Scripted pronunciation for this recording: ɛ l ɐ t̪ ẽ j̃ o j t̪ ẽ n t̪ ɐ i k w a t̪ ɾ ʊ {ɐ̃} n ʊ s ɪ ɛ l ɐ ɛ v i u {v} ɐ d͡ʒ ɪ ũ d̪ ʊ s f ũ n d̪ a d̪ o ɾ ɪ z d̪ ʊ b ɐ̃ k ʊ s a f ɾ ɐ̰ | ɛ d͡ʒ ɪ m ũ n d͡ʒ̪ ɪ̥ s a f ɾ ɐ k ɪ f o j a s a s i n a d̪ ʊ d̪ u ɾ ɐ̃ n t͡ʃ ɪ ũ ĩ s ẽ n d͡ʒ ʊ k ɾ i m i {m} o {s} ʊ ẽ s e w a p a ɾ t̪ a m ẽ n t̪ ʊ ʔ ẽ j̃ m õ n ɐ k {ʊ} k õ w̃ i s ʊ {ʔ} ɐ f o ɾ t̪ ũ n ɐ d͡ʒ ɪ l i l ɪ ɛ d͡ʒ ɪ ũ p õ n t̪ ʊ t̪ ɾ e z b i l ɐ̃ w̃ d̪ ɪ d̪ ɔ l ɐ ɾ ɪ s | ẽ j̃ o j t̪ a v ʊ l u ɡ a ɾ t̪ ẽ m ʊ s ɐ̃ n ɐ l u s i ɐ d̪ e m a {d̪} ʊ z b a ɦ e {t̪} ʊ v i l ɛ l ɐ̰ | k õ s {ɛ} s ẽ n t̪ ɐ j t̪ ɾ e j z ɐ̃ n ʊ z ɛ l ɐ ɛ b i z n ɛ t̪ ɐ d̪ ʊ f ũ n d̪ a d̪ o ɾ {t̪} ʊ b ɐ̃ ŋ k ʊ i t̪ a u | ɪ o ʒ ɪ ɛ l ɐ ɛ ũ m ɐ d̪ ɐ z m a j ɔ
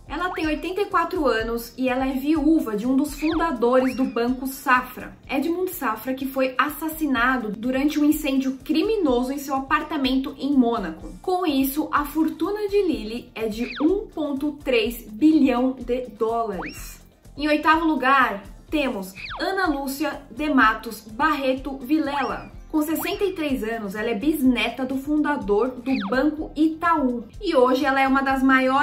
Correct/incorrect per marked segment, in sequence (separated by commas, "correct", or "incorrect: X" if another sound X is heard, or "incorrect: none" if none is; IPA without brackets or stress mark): correct, correct, incorrect: n, incorrect: z, correct, correct, incorrect: t̪, correct, incorrect: e, incorrect: d̪